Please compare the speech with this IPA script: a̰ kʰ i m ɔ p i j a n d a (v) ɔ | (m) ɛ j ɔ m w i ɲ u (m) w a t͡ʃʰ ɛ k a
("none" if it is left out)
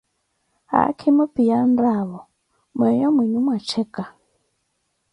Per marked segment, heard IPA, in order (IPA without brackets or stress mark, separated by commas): β, m, m